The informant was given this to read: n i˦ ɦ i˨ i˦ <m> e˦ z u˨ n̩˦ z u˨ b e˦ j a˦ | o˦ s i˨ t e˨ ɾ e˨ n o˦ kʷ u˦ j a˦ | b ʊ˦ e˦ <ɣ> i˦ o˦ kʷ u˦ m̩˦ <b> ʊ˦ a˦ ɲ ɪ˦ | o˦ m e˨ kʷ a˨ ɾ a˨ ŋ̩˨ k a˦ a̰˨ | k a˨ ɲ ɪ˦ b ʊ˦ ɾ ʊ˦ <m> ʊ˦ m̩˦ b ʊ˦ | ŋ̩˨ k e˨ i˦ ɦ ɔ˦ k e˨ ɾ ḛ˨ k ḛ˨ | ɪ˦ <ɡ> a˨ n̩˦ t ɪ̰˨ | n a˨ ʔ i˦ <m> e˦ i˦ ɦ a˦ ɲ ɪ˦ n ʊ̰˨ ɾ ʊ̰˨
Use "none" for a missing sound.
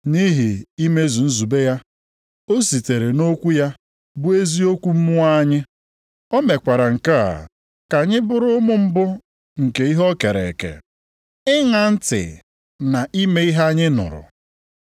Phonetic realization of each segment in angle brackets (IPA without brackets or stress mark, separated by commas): m, z, m, m, ŋ, m